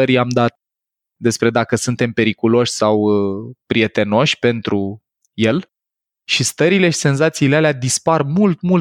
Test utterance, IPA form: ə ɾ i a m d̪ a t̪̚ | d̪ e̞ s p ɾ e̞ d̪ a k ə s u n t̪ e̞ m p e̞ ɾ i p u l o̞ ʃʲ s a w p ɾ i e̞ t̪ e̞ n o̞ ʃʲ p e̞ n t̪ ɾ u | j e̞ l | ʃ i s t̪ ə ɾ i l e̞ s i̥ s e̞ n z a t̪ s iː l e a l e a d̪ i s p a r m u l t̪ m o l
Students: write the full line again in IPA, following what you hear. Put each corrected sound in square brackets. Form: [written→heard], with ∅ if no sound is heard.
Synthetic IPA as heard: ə ɾ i a m d̪ a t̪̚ | d̪ e̞ s p ɾ e̞ d̪ a k ə s u n t̪ e̞ m p e̞ ɾ i [p→k] u l o̞ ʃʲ s a w p ɾ i e̞ t̪ e̞ n o̞ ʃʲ p e̞ n t̪ ɾ u | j e̞ l | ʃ i s t̪ ə ɾ i l e̞ [s→ʃ] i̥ s e̞ n z a t̪ s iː l e a l e a d̪ i s p a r m u l t̪ m [o→u] l